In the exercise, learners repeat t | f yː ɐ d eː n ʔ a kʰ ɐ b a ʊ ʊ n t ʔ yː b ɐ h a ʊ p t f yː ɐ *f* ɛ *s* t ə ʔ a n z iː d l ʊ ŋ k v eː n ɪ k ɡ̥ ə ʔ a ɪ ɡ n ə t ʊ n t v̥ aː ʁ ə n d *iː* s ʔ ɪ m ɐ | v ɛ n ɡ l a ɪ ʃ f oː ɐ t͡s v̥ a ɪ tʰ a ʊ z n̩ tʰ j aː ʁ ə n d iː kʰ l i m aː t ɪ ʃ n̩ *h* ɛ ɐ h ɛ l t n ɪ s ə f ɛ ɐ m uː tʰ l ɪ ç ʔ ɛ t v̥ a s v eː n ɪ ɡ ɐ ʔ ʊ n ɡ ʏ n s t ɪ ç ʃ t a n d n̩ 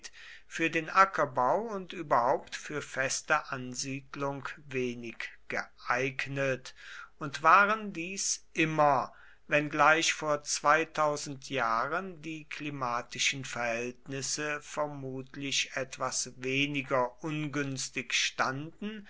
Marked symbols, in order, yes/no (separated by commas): yes, yes, yes, no